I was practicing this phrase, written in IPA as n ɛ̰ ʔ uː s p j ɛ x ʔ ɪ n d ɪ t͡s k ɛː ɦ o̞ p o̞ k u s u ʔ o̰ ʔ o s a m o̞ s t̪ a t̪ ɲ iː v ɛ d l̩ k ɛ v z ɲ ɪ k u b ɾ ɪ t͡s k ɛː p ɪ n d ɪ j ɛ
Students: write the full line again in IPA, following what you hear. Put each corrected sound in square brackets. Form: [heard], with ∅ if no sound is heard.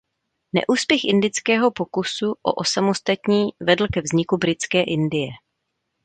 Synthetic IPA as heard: n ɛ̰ ʔ uː s p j ɛ x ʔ ɪ n d ɪ t͡s k ɛː ɦ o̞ p o̞ k u s u ʔ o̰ ʔ o s a m o̞ s t̪ a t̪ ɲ iː v ɛ d l̩ k ɛ v z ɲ ɪ k u b ɾ ɪ t͡s k ɛː [ʔ] ɪ n d ɪ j ɛ